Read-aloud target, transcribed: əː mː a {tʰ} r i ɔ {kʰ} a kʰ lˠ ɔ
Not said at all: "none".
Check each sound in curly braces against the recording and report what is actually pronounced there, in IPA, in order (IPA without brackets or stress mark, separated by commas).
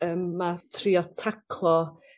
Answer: tʰ, tʰ